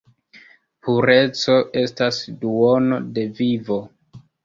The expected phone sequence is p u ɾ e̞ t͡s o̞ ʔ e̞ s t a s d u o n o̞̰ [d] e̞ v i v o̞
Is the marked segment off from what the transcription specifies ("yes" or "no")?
no